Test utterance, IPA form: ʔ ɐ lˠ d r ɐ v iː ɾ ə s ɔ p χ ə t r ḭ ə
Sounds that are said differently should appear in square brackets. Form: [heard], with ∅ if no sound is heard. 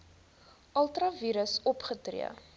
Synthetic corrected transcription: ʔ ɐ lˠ [t] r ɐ v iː ɾ ə s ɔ p χ ə t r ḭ ə